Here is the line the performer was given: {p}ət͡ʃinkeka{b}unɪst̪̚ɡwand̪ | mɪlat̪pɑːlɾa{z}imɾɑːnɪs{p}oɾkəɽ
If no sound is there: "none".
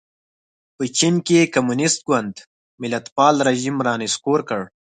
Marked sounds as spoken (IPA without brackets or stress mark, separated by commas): p, m, ʒ, k